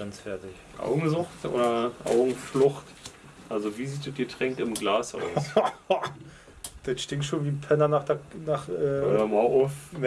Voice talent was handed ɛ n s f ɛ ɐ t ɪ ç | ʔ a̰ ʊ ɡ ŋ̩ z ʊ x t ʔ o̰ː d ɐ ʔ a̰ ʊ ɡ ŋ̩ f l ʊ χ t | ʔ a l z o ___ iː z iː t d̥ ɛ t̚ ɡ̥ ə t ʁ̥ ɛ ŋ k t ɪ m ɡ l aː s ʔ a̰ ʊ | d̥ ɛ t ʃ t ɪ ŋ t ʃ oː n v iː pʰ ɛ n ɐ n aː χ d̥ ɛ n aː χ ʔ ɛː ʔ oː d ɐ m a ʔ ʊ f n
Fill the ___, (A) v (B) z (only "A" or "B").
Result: A